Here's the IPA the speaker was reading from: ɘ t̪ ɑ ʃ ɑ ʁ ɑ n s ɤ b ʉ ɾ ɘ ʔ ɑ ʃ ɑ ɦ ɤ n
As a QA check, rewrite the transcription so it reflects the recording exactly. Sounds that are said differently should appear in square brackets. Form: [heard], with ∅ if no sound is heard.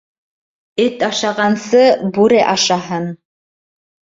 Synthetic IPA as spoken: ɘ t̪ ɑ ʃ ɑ ʁ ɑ n s ɤ b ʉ ɾ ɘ ʔ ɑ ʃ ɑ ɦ ɤ n